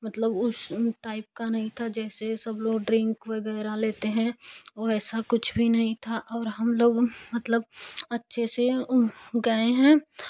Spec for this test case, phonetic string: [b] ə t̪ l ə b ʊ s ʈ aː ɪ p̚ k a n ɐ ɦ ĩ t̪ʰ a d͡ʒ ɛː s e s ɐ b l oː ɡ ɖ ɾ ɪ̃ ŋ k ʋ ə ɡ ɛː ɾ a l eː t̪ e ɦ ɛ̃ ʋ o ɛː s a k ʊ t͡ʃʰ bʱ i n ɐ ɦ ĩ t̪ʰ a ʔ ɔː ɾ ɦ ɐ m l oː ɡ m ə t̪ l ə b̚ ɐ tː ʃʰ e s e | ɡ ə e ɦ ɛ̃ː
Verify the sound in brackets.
incorrect: m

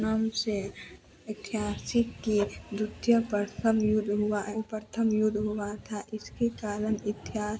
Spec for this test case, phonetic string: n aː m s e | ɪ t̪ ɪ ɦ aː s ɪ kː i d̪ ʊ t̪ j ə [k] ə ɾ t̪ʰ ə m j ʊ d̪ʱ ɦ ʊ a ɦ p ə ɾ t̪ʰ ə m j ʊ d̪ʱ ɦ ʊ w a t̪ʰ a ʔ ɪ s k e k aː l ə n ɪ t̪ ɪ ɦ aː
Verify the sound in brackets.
incorrect: p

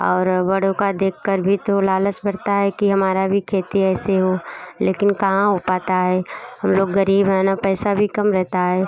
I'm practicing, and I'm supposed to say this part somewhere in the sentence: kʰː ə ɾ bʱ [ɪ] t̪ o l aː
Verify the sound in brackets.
incorrect: i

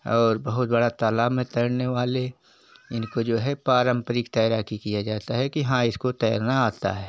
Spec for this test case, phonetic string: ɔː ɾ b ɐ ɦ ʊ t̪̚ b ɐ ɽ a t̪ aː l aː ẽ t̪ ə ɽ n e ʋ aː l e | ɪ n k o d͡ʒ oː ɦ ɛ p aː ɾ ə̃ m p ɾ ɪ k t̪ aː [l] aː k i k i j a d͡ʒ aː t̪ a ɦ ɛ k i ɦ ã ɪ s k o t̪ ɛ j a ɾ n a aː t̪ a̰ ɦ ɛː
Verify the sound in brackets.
incorrect: ɾ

